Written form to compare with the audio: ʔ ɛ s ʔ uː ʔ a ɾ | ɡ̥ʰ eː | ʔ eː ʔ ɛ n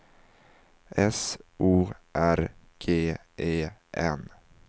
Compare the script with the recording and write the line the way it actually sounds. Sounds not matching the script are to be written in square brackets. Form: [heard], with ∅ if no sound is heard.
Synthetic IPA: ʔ ɛ s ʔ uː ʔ [æ] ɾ | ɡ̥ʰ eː | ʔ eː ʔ ɛ n